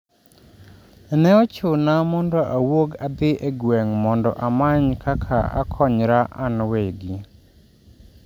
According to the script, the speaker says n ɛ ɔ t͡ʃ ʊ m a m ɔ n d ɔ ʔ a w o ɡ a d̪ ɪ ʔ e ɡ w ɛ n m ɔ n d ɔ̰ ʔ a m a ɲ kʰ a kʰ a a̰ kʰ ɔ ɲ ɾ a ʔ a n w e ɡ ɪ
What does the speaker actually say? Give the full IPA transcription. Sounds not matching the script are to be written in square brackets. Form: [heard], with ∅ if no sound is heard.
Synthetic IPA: n ɛ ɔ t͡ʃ ʊ [n] a m ɔ n d ɔ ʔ a w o ɡ a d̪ ɪ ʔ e ɡ w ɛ [ŋ] m ɔ n d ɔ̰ ʔ a m a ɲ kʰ a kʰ a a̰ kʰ ɔ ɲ ɾ a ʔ a n w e ɡ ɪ